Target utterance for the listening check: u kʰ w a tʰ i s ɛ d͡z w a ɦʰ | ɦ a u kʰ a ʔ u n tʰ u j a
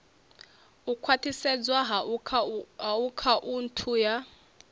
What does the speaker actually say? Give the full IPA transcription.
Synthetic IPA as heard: u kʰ w a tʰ i s ɛ d͡z w a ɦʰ | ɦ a u kʰ a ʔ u n tʰ u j a